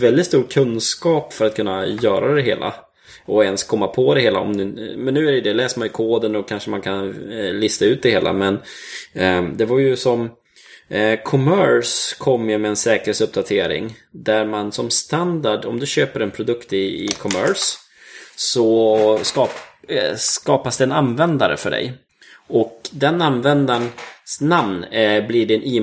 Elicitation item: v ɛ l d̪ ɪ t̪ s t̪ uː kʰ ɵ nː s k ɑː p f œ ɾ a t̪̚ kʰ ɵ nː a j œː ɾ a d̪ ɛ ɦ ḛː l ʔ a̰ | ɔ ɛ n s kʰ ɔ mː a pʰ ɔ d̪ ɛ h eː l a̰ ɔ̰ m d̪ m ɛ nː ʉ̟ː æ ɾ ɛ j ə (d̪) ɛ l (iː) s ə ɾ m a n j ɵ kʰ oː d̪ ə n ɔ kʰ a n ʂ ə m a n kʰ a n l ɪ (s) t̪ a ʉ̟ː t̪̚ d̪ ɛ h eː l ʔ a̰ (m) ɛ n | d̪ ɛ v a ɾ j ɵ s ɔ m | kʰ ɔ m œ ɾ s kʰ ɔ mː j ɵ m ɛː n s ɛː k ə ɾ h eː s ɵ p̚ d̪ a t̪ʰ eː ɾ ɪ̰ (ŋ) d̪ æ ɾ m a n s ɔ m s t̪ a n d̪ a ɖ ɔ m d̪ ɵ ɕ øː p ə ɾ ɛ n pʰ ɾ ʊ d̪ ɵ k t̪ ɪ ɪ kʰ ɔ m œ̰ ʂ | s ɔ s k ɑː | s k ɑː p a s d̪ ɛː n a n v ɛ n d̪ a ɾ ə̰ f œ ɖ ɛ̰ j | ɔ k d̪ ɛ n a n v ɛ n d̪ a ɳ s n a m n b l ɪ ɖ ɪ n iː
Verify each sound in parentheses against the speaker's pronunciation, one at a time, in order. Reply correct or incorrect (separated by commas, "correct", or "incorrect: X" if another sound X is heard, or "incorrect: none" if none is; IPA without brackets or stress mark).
correct, incorrect: ɛː, correct, correct, correct